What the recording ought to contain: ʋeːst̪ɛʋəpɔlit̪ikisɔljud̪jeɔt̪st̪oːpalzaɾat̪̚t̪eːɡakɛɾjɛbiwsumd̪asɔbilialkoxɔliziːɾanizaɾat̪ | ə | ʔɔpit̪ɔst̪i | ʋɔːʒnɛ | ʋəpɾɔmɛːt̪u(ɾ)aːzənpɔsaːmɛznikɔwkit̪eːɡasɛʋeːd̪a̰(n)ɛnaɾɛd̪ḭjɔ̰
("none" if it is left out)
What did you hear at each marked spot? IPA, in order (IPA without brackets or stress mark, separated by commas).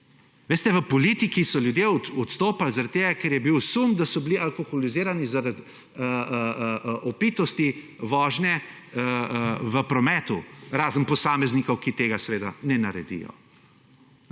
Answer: ɾ, n